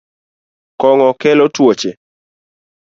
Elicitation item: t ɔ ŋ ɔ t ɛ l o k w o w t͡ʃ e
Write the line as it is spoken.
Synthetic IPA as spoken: k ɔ ŋ ɔ k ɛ l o t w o t͡ʃ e

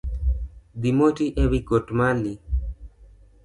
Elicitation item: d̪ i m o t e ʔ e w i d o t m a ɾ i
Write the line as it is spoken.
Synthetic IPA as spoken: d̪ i m o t i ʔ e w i ɡ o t m a l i

